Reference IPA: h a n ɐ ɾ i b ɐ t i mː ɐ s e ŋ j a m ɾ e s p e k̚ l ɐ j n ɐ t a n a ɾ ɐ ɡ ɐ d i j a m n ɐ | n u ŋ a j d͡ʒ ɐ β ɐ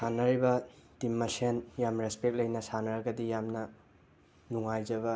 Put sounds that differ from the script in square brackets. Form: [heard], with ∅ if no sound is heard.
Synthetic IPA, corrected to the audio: [s] a n ɐ ɾ i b ɐ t i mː ɐ s e [n] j a m ɾ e s p e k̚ l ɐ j n ɐ [s] a n [ɐ] ɾ ɐ ɡ ɐ d i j a m n ɐ | n u ŋ a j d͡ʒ ɐ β ɐ